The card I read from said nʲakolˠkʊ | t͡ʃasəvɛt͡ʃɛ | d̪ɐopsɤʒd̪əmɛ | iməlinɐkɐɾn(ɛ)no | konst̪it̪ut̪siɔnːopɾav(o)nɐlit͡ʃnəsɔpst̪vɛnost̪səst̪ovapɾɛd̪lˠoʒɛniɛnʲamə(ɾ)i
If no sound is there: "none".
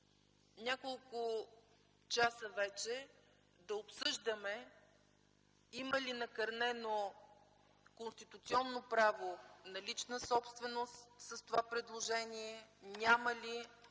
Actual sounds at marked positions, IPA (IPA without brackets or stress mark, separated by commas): ɛ, o, l